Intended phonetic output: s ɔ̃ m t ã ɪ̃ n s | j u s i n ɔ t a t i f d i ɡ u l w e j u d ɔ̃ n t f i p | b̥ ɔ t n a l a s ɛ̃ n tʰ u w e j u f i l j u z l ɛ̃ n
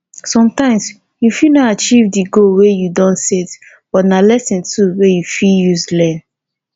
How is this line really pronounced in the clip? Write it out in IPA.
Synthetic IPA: s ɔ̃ m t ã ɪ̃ m s | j u f i n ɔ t a t͡ʃ i v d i ɡ o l w e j u d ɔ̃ n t s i t | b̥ ɔ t n a l ɛ s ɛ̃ n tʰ u w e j u f i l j u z l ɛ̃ n